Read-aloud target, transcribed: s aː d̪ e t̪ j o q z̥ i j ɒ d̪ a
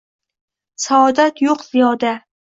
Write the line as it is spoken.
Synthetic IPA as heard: s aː d̪ a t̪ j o q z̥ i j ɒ d̪ a